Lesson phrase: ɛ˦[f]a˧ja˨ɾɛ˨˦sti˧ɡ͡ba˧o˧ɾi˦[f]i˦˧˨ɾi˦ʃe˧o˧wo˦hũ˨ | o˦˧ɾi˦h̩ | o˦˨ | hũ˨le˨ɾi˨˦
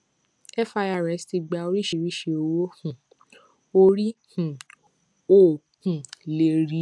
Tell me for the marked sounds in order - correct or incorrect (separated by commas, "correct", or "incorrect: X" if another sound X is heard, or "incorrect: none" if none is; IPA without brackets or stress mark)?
correct, incorrect: ʃ